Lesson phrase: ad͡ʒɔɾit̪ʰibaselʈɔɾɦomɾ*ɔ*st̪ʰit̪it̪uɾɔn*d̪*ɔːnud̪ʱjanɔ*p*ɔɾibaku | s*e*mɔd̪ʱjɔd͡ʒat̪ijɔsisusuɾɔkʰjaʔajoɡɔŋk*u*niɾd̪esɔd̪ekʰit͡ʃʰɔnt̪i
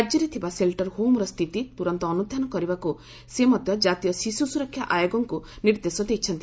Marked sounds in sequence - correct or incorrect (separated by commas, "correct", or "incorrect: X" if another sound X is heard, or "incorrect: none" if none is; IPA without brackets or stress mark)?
correct, incorrect: t̪, incorrect: k, correct, correct